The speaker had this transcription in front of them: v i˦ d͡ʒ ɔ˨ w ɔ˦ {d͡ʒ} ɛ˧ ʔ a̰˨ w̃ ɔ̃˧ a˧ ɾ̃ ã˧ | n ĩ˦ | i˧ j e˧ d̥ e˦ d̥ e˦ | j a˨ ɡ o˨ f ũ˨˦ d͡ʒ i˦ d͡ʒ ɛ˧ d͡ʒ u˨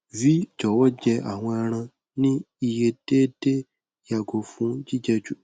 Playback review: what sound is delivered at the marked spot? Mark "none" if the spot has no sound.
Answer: d͡ʒ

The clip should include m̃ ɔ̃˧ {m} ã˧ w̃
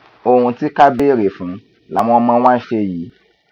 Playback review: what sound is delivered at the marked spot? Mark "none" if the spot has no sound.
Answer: m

